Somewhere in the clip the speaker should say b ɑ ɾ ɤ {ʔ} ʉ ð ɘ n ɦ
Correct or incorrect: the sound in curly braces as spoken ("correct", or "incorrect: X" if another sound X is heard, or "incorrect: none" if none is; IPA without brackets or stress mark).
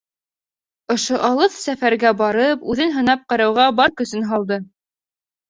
incorrect: p